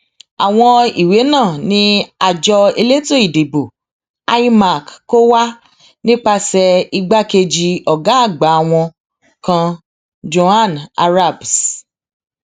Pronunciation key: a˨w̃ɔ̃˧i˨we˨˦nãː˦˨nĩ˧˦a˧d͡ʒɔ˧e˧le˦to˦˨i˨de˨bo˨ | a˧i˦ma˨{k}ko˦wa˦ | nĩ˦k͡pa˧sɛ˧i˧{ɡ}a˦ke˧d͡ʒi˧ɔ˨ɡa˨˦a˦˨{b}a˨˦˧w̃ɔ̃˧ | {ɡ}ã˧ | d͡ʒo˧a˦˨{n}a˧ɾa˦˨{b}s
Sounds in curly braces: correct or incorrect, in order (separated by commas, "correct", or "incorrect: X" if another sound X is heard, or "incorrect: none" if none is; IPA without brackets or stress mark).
correct, incorrect: ɡ͡b, incorrect: ɡ͡b, incorrect: k, correct, correct